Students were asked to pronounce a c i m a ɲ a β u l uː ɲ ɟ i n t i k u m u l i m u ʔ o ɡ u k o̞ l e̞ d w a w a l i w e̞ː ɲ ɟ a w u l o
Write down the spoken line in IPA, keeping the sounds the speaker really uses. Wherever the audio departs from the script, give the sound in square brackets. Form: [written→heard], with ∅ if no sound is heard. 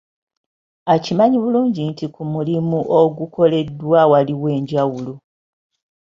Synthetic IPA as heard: a c i m a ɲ [a→i] β u l uː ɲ ɟ i n t i k u m u l i m u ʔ o ɡ u k o̞ l e̞ d w a w a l i w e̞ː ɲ ɟ a w u l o